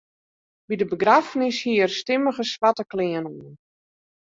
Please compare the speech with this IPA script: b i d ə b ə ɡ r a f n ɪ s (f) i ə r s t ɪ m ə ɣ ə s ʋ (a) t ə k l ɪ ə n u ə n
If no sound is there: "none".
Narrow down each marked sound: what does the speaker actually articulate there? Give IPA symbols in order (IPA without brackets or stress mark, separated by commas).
h, a